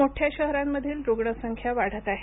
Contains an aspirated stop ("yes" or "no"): yes